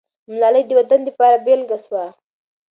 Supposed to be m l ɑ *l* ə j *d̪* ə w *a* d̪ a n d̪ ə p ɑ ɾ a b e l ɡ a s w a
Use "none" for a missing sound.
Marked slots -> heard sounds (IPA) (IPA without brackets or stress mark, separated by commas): l, d̪, a